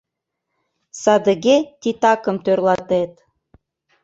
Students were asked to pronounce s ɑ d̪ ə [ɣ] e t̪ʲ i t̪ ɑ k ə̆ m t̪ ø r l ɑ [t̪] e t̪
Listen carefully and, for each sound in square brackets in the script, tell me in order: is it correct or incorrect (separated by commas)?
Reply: correct, correct